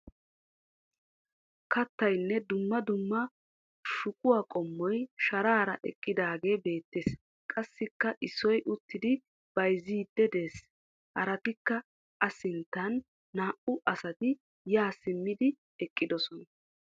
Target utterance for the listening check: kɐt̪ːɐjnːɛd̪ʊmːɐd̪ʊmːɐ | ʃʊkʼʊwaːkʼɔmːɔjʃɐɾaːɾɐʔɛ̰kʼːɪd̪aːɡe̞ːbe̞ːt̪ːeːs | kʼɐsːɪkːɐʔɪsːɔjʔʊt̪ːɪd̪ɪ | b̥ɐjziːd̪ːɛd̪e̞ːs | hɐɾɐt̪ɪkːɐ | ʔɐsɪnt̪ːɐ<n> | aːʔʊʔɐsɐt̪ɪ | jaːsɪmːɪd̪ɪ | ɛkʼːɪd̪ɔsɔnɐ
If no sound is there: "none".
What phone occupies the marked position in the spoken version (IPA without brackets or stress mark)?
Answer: nː